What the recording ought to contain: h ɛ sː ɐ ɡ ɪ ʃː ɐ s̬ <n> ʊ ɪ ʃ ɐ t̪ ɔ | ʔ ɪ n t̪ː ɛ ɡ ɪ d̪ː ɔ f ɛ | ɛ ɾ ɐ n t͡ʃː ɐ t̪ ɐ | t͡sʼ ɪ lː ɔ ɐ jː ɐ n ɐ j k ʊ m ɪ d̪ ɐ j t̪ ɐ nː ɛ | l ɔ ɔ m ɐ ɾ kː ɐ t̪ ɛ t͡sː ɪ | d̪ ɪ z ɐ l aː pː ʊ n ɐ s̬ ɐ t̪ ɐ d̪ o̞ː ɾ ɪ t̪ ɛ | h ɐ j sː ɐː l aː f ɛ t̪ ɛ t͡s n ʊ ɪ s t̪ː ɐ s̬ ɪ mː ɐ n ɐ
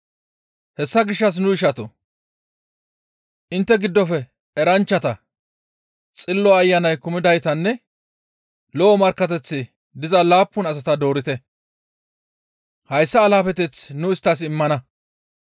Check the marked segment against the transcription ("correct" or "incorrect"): correct